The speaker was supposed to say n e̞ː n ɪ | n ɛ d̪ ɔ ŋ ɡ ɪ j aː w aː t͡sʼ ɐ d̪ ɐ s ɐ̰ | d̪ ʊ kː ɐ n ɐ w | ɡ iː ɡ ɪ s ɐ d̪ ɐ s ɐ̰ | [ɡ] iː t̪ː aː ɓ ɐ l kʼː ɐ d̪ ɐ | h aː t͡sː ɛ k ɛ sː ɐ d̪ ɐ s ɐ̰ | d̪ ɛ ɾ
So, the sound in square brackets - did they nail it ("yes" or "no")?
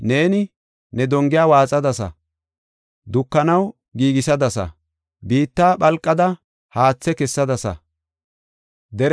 no